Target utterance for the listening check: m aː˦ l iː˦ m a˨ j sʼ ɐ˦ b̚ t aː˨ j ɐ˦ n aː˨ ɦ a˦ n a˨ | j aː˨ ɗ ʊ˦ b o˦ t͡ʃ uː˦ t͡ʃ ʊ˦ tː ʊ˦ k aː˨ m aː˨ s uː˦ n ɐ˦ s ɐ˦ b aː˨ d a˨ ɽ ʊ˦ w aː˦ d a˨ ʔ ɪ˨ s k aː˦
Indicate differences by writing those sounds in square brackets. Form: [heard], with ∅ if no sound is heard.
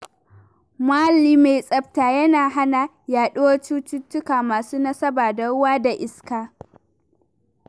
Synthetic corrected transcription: m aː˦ l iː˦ m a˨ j sʼ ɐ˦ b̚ t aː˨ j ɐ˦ n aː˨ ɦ a˦ n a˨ | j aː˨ ɗ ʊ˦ [w] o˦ t͡ʃ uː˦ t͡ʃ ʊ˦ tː ʊ˦ k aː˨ m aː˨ s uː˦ n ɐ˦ s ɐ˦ b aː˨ d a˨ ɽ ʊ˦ w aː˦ d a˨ ʔ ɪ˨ s k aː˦